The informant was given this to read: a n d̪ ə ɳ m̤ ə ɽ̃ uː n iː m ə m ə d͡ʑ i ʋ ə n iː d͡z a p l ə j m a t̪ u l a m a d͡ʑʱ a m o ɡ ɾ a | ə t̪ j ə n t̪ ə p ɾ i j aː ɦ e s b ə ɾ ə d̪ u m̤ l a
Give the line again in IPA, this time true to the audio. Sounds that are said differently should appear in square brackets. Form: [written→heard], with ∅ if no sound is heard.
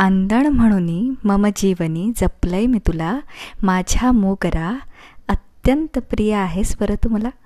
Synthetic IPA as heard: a n d̪ ə ɳ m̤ ə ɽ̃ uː n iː m ə m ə d͡ʑ i ʋ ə n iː d͡z [a→ə] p l ə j m [a→i] t̪ u l a m a d͡ʑʱ a m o ɡ ɾ a | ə t̪ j ə n t̪ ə p ɾ i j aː ɦ e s b ə ɾ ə [d̪→t̪] u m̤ l a